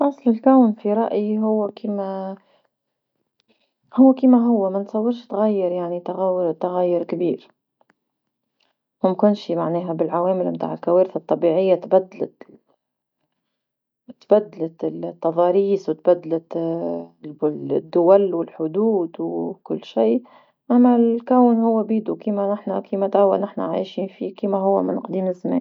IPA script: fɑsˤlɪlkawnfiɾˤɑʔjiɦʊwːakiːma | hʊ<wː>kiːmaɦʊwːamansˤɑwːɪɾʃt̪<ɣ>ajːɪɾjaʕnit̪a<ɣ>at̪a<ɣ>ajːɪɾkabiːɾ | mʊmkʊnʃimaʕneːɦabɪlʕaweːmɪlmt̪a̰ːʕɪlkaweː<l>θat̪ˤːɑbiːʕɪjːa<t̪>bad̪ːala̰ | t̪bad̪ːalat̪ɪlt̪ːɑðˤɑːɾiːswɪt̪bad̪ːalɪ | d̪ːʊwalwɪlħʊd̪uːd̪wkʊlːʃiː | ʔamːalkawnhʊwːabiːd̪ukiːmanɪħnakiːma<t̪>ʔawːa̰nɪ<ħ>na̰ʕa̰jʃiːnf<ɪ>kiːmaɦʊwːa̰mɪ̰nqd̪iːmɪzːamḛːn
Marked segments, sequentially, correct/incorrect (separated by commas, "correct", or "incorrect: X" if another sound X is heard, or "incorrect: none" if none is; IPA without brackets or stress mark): correct, correct, correct, correct, incorrect: ɾ, correct, correct, correct, incorrect: i